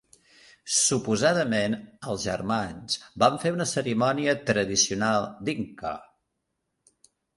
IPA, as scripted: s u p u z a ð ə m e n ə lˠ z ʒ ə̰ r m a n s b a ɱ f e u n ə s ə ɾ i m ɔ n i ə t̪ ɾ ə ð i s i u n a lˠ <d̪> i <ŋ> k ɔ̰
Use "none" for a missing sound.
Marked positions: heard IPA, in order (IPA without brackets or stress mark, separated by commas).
d̪, ŋ